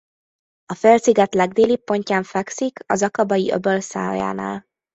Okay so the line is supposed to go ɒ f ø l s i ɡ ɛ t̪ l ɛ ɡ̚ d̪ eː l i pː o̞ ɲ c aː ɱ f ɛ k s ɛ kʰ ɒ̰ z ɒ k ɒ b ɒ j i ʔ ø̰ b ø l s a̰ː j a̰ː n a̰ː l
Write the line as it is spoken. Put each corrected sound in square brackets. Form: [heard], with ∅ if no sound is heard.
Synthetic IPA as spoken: ɒ f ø l s i ɡ ɛ t̪ l ɛ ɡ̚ d̪ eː l i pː o̞ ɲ c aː ɱ f ɛ k s [i] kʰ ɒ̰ z ɒ k ɒ b ɒ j i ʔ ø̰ b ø l s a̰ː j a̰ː n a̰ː l